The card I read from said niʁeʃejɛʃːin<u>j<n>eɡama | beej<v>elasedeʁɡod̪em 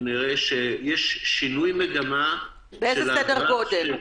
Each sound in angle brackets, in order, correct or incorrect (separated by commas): correct, incorrect, incorrect